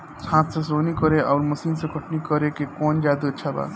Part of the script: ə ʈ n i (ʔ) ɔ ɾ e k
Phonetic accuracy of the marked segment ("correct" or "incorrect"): incorrect